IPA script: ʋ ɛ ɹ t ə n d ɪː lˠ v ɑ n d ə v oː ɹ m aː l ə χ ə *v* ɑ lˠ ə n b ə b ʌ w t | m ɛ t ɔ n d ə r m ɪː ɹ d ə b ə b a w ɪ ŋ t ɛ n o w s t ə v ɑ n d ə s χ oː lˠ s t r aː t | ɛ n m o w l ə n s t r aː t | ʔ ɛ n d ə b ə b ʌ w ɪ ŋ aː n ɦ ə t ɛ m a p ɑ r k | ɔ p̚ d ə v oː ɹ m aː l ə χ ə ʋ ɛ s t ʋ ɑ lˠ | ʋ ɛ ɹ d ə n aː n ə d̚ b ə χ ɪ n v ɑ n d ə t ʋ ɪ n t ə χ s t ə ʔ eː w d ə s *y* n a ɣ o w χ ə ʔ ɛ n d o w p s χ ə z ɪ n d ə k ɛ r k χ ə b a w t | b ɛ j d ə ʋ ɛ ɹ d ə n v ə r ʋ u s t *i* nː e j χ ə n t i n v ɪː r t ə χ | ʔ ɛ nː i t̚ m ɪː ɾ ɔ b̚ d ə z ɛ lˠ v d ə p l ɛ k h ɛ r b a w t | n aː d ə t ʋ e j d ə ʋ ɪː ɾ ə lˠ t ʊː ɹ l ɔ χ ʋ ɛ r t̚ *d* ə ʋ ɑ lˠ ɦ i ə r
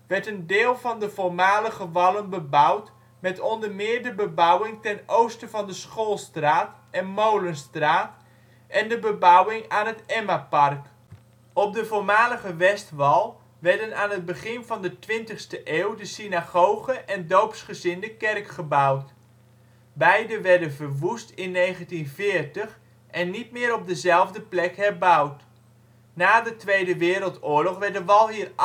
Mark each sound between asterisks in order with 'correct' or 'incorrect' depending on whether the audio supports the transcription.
incorrect: ʋ, incorrect: i, incorrect: ɪ, correct

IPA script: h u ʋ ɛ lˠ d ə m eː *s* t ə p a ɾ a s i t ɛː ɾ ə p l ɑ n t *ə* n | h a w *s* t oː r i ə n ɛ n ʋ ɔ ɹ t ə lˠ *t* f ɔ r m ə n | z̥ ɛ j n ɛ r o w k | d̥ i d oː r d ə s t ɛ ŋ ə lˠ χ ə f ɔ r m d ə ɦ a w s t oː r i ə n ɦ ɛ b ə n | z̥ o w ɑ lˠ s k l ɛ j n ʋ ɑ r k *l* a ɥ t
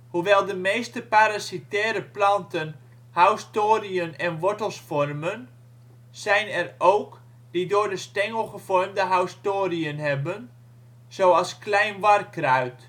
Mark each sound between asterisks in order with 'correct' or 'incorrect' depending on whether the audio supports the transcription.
correct, correct, correct, incorrect: s, incorrect: r

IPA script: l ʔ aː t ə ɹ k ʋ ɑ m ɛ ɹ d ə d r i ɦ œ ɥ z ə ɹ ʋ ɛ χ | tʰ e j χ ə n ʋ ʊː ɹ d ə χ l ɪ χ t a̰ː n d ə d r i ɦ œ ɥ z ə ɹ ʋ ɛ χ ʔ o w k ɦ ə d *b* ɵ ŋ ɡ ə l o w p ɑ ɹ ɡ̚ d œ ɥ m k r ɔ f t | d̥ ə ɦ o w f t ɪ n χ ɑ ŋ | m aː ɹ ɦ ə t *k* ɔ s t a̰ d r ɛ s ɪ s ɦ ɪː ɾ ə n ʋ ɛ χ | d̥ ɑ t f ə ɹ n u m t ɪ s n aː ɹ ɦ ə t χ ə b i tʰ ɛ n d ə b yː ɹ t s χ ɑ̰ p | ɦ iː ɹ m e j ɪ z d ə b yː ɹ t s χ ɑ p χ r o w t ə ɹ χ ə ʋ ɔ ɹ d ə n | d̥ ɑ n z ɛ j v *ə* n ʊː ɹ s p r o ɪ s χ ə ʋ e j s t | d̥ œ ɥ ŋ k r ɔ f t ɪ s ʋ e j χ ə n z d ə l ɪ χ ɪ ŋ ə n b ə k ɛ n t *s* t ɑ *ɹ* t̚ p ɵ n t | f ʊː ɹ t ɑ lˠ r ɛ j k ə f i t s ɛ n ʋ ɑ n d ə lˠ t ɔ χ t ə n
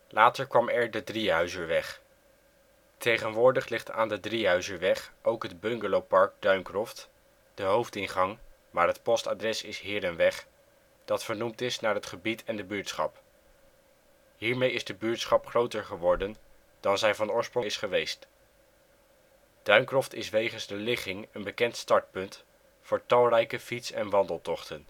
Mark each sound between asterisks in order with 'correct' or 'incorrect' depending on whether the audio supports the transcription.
correct, incorrect: p, incorrect: ɑ, correct, correct

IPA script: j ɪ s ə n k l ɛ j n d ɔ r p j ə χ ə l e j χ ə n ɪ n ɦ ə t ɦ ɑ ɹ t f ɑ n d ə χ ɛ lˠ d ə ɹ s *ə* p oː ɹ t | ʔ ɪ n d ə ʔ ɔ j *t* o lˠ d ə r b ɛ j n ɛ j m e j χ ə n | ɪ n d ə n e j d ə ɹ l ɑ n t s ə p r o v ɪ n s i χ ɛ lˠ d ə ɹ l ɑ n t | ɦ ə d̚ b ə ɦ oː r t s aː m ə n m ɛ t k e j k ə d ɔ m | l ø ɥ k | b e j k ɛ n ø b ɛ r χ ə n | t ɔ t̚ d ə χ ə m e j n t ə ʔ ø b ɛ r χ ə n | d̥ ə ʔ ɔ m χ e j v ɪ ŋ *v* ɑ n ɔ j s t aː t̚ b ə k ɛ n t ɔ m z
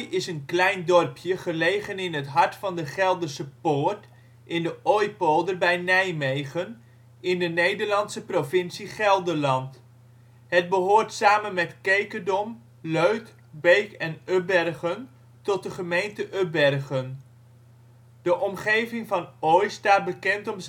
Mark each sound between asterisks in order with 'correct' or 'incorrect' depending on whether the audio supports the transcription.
correct, incorrect: p, correct

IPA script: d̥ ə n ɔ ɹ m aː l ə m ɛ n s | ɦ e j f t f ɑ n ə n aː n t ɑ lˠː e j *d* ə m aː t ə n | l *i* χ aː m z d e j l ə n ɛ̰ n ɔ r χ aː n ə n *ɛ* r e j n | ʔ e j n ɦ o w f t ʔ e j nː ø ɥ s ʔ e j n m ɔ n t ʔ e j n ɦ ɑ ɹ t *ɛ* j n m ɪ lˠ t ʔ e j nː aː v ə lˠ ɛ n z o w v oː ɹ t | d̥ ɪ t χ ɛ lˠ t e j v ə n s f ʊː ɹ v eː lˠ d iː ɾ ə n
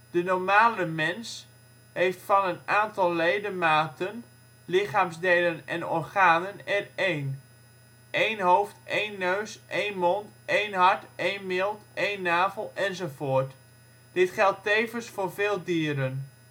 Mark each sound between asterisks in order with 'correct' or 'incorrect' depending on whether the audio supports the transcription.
correct, incorrect: ɪ, correct, incorrect: e

